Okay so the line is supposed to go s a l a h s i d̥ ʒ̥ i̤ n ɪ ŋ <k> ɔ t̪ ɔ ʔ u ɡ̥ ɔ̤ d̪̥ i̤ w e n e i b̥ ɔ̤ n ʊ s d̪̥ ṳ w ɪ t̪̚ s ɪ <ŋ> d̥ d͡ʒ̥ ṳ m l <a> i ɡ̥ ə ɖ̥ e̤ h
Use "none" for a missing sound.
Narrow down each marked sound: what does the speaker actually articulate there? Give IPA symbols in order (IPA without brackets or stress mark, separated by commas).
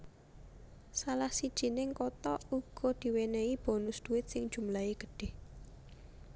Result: k, ŋ, a